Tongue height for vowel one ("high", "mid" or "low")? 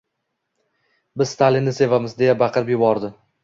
high